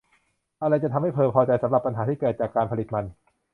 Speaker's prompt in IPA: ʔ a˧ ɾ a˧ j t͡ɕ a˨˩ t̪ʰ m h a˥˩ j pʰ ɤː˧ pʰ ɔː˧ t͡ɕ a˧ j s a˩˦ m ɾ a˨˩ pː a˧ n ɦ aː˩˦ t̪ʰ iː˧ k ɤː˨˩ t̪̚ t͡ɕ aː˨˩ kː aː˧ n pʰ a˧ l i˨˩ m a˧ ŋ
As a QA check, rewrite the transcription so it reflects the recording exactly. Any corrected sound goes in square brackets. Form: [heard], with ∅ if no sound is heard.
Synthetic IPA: ʔ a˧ ɾ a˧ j t͡ɕ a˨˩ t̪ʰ m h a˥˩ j pʰ ɤː˧ pʰ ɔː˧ t͡ɕ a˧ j s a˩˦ m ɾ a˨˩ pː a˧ n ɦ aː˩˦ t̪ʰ [iː˥˩] k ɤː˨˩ t̪̚ t͡ɕ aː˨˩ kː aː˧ n pʰ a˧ l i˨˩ m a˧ [n]